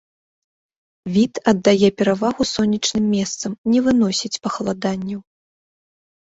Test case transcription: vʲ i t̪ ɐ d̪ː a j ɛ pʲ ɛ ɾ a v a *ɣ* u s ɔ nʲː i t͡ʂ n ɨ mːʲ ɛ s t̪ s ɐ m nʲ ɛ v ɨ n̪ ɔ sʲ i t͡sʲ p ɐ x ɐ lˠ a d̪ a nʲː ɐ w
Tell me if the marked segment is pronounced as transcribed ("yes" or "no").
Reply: yes